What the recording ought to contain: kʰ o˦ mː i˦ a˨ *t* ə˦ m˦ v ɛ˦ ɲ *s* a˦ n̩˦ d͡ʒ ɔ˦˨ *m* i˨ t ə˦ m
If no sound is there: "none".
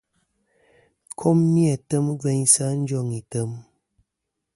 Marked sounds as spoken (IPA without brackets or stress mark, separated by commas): t, s, ŋ